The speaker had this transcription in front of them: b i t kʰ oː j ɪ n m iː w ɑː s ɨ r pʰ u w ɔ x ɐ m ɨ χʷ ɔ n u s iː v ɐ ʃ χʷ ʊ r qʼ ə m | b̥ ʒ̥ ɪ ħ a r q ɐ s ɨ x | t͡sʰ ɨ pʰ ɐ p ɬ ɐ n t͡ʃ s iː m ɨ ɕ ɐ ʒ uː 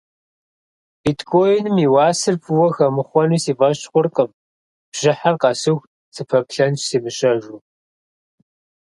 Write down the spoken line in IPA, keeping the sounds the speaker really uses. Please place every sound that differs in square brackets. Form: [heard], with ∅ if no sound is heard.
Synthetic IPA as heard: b i t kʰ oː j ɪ n m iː w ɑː s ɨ r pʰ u w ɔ x ɐ m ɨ χʷ ɔ n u s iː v ɐ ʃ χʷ ʊ r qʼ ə m | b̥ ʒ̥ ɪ ħ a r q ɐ s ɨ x | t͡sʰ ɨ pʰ ɐ p ɬ ɐ n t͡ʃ s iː m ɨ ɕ ɐ ʒ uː